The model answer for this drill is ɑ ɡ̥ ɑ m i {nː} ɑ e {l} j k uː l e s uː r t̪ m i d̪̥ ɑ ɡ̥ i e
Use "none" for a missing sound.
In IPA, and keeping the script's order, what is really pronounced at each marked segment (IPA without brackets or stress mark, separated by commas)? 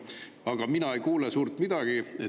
n, none